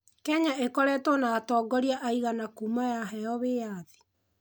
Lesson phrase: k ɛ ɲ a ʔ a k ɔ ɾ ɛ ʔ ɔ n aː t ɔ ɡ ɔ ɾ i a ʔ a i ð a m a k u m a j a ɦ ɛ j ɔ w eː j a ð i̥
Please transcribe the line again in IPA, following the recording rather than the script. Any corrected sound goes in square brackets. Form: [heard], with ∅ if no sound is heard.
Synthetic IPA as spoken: k ɛ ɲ a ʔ [e] k ɔ ɾ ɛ [t] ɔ n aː t ɔ ɡ ɔ ɾ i a ʔ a i [ɣ] a [n] a k u m a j a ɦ ɛ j ɔ [β] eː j a ð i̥